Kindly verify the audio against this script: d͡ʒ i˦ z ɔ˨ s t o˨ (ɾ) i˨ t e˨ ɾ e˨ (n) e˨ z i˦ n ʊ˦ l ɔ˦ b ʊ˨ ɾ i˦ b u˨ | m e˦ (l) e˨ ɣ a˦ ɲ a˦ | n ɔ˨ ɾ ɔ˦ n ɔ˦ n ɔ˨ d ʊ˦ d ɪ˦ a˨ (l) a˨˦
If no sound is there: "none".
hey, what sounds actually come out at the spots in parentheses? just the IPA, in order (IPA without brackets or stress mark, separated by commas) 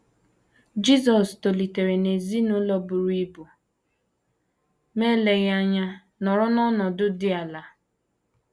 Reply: l, n, l, l